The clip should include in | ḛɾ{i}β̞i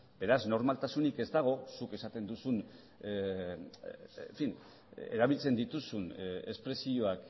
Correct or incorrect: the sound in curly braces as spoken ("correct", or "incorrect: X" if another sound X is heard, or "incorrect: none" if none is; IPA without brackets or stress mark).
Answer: incorrect: a